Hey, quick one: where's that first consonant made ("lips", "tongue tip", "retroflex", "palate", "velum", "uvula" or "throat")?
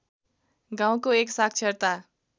velum